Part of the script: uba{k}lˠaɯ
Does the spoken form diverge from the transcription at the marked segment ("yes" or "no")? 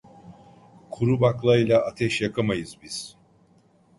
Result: no